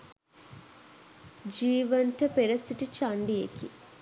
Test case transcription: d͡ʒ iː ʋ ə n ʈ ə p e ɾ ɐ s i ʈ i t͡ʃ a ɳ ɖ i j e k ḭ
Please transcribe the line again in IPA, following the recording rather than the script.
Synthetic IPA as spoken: d͡ʒ iː ʋ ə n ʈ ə p e ɾ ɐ s i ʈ i t͡ʃ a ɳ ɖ i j e k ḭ